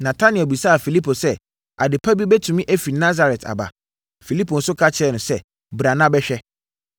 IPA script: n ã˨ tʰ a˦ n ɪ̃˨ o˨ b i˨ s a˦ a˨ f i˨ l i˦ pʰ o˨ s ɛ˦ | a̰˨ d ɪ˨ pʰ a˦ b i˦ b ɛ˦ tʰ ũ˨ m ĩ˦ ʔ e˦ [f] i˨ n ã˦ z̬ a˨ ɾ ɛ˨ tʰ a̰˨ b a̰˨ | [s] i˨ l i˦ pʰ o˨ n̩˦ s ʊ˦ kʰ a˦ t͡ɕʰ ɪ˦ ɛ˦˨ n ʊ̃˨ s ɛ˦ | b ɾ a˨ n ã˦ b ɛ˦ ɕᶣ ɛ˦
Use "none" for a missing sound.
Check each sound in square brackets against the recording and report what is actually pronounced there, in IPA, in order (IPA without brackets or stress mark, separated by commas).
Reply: f, f